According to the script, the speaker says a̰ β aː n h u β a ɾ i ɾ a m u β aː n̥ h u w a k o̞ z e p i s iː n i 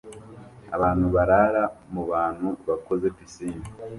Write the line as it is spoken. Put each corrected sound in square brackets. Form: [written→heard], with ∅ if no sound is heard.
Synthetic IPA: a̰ β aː n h u β a ɾ [i→a] ɾ a m u β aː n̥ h u [w→β] a k o̞ z e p i s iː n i